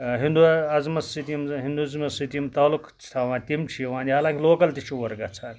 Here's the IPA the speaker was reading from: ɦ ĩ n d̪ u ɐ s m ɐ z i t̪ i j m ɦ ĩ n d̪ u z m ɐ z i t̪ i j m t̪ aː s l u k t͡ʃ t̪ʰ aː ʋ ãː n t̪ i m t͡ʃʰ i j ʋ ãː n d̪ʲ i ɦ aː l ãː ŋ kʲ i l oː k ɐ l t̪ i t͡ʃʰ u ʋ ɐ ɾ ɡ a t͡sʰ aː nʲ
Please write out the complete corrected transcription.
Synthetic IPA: ɦ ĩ n d̪ u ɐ z m ɐ s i t̪ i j m ɦ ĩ n d̪ u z m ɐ s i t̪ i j m t̪ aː l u k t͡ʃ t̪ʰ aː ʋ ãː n t̪ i m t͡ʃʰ i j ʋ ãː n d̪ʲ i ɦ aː l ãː ŋ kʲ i l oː k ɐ l t̪ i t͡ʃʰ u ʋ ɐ ɾ ɡ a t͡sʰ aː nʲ

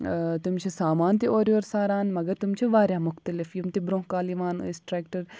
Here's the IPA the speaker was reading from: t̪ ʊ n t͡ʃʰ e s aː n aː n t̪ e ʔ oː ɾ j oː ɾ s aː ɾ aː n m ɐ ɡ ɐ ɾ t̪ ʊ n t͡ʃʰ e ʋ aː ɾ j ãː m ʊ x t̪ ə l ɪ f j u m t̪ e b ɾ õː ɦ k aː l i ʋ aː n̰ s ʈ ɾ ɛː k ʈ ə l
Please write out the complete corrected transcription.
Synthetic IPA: t̪ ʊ m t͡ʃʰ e s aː m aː n t̪ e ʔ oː ɾ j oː ɾ s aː ɾ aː n m ɐ ɡ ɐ ɾ t̪ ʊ m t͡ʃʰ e ʋ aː ɾ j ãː m ʊ x t̪ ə l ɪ f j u m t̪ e b ɾ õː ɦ k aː l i ʋ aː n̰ s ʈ ɾ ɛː k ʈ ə ɾ

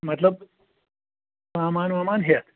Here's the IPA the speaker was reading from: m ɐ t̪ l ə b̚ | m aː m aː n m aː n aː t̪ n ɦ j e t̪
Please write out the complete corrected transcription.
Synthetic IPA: m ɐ t̪ l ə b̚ | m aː m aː n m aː m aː n ɦ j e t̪

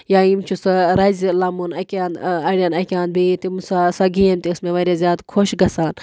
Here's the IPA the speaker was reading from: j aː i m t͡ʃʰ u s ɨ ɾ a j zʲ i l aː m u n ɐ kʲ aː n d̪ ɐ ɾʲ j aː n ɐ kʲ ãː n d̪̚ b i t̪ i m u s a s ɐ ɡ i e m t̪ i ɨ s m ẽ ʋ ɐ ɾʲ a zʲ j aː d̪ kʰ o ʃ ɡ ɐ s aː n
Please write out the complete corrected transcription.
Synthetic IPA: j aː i m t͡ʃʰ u s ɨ ɾ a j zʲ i l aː m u n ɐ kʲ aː n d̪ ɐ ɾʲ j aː n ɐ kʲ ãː n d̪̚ b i t̪ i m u s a s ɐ ɡ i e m t̪ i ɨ s m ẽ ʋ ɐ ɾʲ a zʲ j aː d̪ kʰ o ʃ ɡ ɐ s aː n

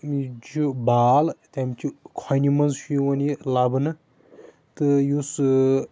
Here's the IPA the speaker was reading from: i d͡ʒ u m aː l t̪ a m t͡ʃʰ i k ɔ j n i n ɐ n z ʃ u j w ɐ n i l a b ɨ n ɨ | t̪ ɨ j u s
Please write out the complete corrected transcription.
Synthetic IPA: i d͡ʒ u b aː l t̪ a m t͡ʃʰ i kʰ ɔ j n i m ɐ n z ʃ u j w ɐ n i l a b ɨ n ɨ | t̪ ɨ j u s

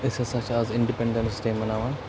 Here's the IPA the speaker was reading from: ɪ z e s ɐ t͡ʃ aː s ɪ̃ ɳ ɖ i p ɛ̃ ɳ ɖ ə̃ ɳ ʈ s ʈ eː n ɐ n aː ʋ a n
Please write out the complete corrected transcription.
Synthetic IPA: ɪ s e s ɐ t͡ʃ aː z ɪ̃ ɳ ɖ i p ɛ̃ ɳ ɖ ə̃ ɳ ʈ s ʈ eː m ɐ n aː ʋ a n

